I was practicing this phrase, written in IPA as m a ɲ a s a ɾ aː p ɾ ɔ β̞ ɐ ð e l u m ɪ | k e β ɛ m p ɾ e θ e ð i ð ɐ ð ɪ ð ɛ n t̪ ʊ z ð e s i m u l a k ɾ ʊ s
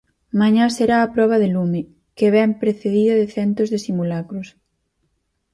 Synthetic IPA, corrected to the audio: m a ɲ a s e ɾ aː p ɾ ɔ β̞ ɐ ð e l u m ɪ | k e β ɛ m p ɾ e θ e ð i ð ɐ ð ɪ θ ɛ n t̪ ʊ z ð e s i m u l a k ɾ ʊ s